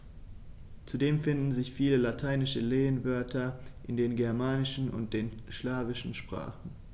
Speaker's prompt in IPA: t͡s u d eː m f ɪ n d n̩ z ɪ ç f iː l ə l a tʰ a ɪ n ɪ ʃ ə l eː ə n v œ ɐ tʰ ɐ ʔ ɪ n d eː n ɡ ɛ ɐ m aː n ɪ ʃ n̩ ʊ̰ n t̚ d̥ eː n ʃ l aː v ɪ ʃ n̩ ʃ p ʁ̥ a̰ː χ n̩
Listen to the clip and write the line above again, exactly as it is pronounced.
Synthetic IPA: t͡s u d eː m f ɪ n d n̩ z ɪ ç f iː l ə l a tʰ a ɪ n ɪ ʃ ə l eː ə n v œ ɐ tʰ ɐ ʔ ɪ n d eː n ɡ ɛ ɐ m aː n ɪ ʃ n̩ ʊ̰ n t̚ d̥ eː n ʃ l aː v ɪ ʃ n̩ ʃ p ʁ̥ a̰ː χ n̩